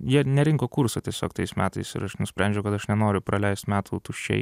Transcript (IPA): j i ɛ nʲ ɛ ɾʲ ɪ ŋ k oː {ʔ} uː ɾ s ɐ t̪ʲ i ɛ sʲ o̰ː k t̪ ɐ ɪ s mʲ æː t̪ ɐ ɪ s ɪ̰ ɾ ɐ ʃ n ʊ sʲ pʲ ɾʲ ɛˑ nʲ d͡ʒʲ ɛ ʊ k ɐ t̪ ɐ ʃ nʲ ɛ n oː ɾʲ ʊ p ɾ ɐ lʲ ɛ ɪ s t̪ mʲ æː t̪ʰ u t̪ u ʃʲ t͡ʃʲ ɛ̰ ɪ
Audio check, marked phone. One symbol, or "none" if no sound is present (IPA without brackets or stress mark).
k